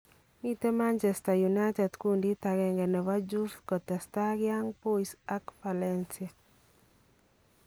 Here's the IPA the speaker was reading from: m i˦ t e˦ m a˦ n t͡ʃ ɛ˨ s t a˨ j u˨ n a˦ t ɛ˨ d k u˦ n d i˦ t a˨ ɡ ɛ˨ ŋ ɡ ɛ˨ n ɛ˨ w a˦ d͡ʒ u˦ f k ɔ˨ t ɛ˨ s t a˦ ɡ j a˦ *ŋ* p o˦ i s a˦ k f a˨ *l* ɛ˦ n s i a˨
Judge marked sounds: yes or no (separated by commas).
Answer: yes, yes